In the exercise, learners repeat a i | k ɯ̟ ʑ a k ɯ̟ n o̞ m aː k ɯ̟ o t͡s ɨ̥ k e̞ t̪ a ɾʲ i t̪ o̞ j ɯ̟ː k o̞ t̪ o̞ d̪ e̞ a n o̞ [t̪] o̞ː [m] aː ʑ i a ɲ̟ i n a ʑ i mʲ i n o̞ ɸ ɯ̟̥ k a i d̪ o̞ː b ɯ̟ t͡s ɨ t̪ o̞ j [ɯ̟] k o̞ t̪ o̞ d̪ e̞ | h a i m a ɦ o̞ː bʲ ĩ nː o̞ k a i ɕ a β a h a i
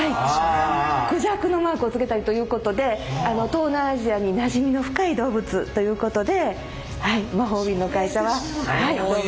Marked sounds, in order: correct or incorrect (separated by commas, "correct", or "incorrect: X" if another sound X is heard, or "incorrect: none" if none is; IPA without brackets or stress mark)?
correct, incorrect: n, incorrect: ɯ̟ː